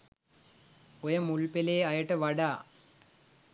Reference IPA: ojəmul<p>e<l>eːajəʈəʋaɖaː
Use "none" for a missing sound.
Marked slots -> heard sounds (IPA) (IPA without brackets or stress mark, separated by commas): p, l